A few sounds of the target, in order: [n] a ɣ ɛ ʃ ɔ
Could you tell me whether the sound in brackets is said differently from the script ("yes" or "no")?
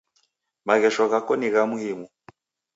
yes